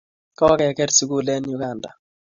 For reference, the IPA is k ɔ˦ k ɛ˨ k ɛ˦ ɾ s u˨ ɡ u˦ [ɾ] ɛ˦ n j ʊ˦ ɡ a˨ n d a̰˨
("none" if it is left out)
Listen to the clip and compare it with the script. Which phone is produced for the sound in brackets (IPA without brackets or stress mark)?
l